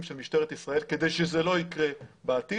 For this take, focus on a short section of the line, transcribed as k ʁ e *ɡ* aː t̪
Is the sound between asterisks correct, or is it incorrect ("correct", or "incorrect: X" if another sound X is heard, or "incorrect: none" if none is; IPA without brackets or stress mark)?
incorrect: b